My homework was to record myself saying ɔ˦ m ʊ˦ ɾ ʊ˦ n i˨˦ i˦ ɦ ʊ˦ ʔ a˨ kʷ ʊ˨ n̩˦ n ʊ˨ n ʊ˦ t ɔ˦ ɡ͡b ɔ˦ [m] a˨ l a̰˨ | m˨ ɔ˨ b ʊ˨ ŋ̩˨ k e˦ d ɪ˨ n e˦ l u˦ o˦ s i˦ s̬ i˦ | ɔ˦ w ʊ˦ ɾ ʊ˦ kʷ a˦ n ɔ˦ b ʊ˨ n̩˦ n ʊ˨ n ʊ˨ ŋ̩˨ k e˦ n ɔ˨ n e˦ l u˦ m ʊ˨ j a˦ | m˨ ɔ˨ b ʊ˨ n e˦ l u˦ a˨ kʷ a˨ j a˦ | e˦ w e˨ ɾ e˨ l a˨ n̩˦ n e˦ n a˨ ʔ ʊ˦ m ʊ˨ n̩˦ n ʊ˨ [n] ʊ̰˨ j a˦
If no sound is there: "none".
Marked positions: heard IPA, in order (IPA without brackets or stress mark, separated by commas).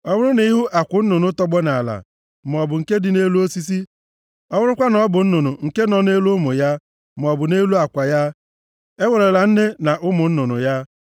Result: n, n